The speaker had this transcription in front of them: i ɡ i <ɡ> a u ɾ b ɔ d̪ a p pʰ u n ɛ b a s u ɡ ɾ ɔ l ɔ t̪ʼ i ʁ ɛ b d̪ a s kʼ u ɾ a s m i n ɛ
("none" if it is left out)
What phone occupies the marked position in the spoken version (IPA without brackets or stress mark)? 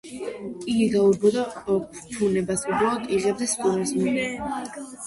ɡ